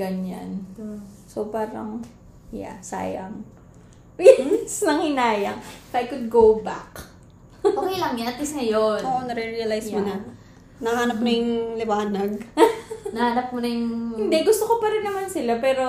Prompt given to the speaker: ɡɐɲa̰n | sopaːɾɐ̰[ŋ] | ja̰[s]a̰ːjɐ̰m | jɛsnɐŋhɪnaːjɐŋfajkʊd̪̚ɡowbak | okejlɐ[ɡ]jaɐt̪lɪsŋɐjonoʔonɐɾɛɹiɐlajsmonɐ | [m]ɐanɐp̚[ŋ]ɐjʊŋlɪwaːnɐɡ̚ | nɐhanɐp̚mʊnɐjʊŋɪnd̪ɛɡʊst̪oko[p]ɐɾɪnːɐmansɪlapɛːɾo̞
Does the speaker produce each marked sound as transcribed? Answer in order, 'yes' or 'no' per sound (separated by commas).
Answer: yes, yes, no, no, no, yes